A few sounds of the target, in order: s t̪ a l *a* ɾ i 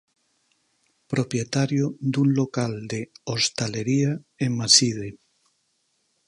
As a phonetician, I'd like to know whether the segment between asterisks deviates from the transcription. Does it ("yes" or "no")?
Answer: yes